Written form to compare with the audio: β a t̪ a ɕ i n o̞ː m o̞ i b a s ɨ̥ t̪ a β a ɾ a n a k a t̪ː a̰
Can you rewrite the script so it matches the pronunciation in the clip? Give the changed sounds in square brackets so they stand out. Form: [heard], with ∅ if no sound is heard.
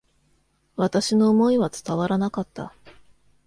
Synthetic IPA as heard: β a t̪ a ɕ i n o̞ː m o̞ i [β] a [t͡s] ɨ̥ t̪ a β a ɾ a n a k a t̪ː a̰